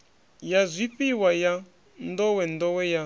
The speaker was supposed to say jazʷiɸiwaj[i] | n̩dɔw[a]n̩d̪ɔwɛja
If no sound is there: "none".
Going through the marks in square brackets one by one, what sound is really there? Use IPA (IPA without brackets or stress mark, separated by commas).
a, ɛ